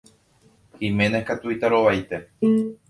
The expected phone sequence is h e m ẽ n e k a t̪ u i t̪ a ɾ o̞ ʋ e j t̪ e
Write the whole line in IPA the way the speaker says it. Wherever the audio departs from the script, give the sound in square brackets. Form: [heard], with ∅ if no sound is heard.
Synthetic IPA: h [i] m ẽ n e k a t̪ u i t̪ a ɾ o̞ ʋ [a] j t̪ e